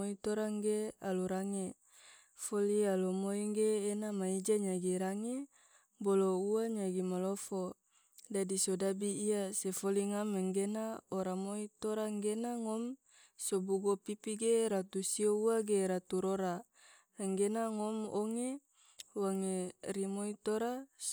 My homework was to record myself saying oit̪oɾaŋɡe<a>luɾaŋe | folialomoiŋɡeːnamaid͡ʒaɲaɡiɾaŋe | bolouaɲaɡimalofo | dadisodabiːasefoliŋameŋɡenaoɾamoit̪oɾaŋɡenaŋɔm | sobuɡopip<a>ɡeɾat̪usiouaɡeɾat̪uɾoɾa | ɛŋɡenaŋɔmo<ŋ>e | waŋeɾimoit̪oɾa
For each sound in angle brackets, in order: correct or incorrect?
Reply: correct, incorrect: i, correct

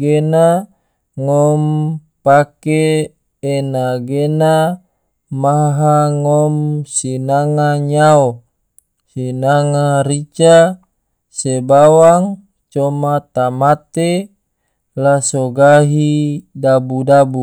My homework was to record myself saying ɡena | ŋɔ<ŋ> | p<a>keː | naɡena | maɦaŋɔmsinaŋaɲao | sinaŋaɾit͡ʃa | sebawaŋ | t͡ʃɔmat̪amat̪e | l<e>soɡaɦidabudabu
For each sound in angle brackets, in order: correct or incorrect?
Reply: incorrect: m, correct, incorrect: a

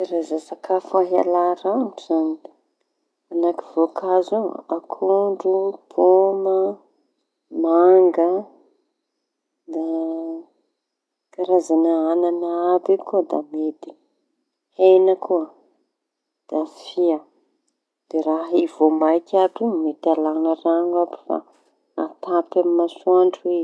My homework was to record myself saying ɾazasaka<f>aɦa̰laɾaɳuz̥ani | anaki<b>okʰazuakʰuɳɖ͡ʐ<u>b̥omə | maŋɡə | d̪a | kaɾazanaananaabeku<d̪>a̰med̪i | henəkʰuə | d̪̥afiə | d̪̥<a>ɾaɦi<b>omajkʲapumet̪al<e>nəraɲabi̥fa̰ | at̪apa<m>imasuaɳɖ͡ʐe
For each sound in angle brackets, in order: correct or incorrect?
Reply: correct, incorrect: v, correct, correct, incorrect: e, incorrect: v, incorrect: a, correct

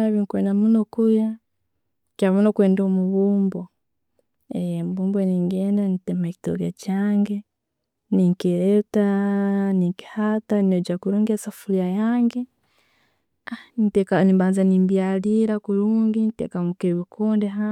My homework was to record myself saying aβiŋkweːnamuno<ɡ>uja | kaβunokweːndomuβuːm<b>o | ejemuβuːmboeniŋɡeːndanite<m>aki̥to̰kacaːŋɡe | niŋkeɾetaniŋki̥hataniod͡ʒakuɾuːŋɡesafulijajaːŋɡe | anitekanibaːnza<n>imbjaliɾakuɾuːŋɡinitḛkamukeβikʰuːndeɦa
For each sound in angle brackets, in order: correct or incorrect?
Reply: incorrect: k, correct, correct, correct

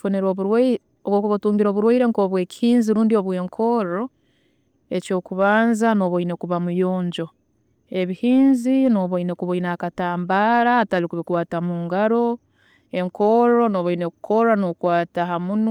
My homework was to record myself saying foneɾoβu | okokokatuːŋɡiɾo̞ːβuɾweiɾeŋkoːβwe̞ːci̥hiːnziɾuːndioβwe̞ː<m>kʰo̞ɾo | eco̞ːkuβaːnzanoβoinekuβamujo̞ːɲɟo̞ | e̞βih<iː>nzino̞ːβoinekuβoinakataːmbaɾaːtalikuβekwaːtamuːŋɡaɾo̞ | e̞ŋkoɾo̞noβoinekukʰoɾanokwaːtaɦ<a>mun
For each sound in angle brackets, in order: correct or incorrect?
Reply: incorrect: ŋ, correct, correct

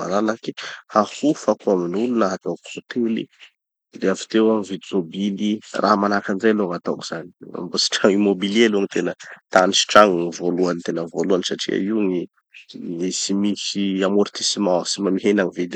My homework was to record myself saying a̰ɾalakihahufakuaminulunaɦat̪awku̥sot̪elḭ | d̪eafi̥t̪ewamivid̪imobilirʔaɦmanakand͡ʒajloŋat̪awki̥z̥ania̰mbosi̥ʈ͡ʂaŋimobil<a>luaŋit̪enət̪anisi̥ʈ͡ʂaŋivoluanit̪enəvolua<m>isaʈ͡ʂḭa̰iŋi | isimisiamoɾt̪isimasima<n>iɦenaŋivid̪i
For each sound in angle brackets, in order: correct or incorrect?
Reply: incorrect: e, incorrect: n, incorrect: m

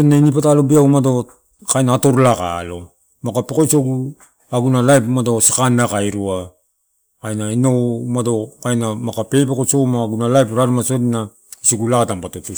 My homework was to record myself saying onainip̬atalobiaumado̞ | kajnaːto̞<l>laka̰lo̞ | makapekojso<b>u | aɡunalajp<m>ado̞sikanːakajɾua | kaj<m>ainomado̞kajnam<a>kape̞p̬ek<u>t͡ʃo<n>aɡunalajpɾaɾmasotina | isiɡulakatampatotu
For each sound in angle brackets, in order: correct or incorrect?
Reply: incorrect: ɾ, incorrect: ɡ, correct, incorrect: n, correct, incorrect: o, incorrect: m

